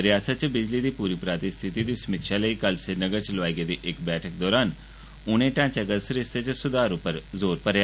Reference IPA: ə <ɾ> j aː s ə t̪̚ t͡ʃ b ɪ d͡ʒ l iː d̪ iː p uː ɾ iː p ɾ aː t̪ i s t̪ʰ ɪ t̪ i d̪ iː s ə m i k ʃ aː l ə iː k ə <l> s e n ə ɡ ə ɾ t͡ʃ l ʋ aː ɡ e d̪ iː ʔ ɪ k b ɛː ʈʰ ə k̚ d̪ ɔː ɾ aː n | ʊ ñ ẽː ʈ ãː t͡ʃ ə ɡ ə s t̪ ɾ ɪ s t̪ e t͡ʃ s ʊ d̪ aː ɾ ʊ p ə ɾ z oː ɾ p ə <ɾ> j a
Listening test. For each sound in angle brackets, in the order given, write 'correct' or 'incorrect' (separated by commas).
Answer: correct, correct, correct